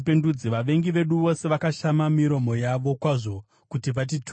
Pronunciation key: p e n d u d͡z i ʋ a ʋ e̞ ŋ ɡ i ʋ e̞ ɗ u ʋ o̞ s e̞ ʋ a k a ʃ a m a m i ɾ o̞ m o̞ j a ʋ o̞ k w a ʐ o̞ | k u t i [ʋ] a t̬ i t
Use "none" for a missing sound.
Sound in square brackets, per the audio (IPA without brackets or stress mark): ʋ